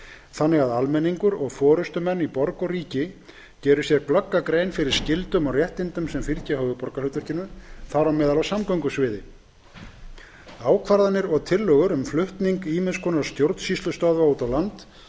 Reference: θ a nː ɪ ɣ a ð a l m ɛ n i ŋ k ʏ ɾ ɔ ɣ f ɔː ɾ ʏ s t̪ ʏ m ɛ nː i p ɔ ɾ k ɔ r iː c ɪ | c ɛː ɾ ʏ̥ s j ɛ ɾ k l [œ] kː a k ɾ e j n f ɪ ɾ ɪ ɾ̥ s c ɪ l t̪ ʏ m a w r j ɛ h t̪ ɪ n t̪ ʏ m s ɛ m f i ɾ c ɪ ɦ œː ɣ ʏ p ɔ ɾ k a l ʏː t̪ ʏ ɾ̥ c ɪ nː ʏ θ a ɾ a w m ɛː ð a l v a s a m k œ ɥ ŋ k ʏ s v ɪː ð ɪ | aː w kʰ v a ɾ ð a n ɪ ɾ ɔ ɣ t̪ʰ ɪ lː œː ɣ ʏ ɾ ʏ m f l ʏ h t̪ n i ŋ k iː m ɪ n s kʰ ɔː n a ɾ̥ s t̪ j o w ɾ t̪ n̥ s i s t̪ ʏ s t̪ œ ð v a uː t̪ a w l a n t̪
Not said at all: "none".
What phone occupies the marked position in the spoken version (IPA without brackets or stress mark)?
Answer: œ